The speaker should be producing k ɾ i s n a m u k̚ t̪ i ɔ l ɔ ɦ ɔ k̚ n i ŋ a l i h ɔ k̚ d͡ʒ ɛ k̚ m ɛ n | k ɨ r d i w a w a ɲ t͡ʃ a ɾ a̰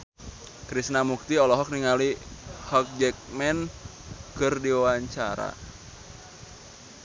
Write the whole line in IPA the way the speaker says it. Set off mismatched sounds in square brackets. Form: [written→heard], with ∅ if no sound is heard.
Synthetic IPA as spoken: k ɾ i s n a m u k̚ t̪ i ɔ l ɔ ɦ ɔ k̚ n i ŋ a l i h ɔ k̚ d͡ʒ ɛ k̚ m ɛ n | k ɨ r d i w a w a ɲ t͡ʃ a ɾ a̰